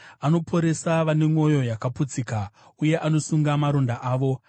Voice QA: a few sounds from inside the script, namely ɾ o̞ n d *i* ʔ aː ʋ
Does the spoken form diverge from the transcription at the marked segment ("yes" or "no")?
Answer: yes